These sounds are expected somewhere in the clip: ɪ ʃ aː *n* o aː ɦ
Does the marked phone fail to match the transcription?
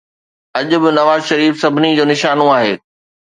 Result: no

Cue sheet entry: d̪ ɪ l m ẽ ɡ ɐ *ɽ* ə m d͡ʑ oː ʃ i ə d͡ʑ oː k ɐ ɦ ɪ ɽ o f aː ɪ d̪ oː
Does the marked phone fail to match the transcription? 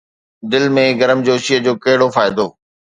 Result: yes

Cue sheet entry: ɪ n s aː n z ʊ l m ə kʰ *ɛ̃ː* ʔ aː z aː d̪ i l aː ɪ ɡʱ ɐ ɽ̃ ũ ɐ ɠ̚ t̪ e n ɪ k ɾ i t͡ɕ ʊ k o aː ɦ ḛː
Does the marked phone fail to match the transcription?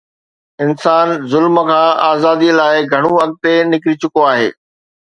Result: yes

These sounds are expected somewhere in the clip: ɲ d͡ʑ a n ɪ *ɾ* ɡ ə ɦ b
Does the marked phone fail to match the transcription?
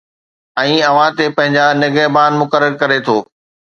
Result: yes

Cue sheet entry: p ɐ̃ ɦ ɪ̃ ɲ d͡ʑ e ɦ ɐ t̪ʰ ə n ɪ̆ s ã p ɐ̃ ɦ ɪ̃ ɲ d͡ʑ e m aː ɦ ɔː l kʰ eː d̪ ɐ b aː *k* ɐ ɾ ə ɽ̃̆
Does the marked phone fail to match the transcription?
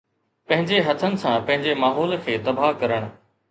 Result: no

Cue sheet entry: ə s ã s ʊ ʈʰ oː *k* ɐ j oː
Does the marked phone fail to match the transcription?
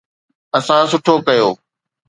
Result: no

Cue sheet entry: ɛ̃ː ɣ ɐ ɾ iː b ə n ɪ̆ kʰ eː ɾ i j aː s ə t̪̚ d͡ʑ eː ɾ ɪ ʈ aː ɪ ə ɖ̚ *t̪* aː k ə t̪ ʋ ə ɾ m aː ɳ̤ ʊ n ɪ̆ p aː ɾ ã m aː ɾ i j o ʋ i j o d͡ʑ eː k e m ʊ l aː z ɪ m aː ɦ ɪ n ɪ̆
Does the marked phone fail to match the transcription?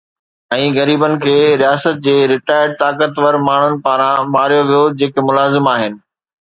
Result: no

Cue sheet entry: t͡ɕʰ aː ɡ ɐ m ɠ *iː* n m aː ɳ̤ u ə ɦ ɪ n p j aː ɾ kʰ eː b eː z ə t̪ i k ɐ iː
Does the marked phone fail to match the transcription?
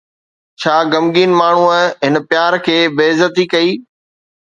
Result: no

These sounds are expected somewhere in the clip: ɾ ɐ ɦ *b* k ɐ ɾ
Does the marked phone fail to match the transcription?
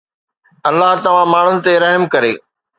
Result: yes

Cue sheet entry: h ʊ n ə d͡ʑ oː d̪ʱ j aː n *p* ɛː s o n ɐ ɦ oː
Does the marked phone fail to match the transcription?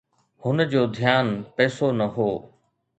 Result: no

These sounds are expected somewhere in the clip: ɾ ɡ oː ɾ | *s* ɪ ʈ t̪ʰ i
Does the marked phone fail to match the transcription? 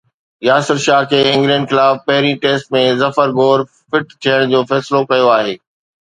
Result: yes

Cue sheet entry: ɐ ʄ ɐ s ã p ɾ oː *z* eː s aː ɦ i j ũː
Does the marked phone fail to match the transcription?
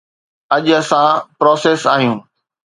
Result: yes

